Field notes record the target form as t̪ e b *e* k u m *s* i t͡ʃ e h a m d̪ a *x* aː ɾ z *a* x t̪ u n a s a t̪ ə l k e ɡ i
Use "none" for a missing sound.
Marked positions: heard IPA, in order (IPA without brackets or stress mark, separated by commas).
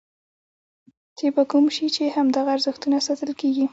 a, ʃ, ɣ, ə